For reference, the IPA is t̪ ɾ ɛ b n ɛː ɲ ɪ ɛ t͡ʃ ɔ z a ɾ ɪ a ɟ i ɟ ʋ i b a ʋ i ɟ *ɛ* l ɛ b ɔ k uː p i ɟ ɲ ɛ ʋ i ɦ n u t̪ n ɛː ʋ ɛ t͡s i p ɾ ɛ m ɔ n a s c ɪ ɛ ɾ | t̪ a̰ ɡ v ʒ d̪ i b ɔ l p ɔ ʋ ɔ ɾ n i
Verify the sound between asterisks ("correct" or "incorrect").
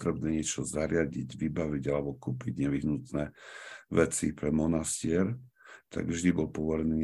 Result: incorrect